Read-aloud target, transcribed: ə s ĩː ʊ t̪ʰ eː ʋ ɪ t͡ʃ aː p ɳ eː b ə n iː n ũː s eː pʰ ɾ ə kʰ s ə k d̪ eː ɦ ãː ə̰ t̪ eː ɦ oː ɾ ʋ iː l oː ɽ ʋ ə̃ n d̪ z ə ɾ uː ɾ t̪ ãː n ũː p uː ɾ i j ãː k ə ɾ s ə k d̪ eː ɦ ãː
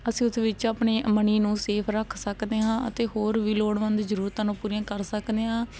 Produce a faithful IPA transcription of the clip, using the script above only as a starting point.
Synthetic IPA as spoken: ə s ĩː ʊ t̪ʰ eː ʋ ɪ t͡ʃ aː p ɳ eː m ə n iː n ũː s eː pʰ ɾ ə kʰ s ə k d̪ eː ɦ ãː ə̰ t̪ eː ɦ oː ɾ ʋ iː l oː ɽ ʋ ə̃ n d̪ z ə ɾ uː ɾ t̪ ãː n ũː p uː ɾ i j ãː k ə ɾ s ə k d̪ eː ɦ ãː